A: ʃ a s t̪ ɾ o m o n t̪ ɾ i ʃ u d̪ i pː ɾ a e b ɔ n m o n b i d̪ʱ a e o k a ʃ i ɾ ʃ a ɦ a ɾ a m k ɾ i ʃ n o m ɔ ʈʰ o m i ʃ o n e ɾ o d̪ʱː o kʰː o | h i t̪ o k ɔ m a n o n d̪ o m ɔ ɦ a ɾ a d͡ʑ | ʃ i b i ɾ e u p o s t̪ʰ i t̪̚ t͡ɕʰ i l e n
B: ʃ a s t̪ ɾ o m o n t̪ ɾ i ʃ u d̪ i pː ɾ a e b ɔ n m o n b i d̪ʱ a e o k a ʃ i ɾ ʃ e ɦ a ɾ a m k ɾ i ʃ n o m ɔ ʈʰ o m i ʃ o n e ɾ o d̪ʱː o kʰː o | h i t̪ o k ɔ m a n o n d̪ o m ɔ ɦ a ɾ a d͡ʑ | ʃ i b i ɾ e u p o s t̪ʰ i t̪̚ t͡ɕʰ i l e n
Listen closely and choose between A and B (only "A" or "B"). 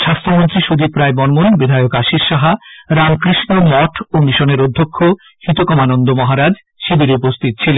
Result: A